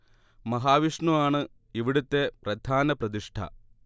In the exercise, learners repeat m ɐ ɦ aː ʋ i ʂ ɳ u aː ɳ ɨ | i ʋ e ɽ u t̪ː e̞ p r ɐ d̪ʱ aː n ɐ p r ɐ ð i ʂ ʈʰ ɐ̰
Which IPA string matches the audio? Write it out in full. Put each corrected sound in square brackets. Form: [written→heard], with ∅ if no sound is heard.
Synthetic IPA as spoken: m ɐ ɦ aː ʋ i ʂ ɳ u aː ɳ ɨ | i ʋ [e→i] ɽ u t̪ː e̞ p r ɐ d̪ʱ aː n ɐ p r ɐ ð i ʂ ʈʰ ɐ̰